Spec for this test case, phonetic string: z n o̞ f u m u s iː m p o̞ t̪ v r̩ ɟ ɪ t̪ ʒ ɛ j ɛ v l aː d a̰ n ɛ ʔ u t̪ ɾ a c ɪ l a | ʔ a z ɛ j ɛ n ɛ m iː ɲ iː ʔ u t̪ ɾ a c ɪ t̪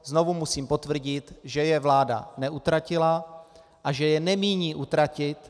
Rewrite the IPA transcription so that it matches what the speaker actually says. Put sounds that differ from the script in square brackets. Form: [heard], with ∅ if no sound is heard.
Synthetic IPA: z n o̞ [v] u m u s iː m p o̞ t̪ v r̩ ɟ ɪ t̪ ʒ ɛ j ɛ v l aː d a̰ n ɛ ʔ u t̪ ɾ a c ɪ l a | ʔ a [ʒ] ɛ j ɛ n ɛ m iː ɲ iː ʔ u t̪ ɾ a c ɪ t̪